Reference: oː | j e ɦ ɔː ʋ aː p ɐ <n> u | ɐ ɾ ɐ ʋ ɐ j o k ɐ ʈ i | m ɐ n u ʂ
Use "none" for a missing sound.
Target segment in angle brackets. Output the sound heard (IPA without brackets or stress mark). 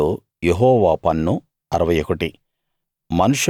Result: nː